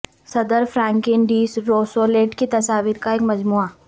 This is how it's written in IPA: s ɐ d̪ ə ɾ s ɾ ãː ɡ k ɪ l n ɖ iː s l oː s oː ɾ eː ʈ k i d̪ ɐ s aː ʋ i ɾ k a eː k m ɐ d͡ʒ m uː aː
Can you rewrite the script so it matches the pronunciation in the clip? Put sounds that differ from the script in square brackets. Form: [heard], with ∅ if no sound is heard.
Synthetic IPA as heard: s ɐ d̪ ə ɾ [f] ɾ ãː [ŋ] k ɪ [∅] n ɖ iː s [ɾ] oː s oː [l] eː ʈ k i [t̪] ɐ s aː ʋ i ɾ k a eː k m ɐ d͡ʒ m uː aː

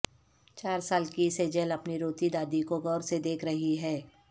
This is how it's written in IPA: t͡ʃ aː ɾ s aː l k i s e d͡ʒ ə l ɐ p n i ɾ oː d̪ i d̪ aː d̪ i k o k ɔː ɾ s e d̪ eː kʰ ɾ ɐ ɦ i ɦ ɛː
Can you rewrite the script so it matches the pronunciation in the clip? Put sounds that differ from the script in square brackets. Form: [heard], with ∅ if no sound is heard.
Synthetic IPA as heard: t͡ʃ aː ɾ s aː l k i s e d͡ʒ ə l ɐ p n i ɾ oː [t̪] i d̪ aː d̪ i k o [ɡ] ɔː ɾ s e d̪ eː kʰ ɾ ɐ ɦ i ɦ ɛː

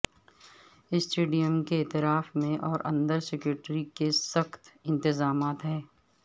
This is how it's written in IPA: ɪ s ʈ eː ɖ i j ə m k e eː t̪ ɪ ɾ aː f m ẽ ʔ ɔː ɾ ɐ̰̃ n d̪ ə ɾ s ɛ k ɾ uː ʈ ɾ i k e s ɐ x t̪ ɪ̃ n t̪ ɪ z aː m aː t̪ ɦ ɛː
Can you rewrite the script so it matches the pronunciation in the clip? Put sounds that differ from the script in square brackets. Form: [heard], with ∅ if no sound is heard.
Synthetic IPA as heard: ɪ s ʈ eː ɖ i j ə m k e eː t̪ ɪ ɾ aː f m ẽ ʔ ɔː ɾ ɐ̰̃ n d̪ ə ɾ s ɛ k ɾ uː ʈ ɾ i k e s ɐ x t̪ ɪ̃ n t̪ ɪ z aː m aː t̪ ɦ ɛː

